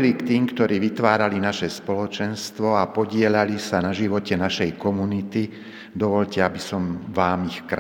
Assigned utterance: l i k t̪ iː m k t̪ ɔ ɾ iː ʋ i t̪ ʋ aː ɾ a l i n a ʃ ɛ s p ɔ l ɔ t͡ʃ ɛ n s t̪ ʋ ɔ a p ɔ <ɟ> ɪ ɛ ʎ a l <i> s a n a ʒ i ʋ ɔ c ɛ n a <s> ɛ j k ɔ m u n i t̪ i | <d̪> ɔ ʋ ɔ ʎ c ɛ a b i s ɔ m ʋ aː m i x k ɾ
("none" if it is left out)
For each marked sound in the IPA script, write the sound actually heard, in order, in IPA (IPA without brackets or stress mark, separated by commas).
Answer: ɟ, i, ʃ, d̪